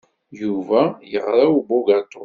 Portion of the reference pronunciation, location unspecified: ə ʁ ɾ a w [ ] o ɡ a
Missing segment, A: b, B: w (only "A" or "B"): A